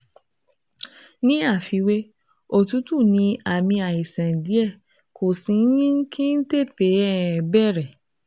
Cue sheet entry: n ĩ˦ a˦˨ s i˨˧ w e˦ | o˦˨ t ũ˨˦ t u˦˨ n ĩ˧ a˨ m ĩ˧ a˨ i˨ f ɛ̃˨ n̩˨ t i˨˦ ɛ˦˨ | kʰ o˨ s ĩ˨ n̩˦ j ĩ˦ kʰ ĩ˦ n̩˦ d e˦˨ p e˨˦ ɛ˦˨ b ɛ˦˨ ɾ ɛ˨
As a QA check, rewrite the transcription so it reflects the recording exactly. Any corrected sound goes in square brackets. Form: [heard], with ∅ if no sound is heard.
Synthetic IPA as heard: n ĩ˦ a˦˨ [f] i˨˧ w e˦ | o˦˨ t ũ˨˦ t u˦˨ n ĩ˧ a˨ m ĩ˧ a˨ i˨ [s] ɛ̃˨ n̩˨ [d] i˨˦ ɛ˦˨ | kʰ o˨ s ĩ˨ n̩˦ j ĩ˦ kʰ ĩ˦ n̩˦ [t] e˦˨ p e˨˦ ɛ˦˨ b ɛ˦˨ ɾ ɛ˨